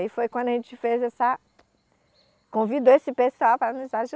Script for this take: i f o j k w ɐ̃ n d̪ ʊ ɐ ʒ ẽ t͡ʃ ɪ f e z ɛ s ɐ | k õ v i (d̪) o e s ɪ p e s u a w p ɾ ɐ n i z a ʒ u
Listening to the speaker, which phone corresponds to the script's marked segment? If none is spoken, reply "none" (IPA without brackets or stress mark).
d̪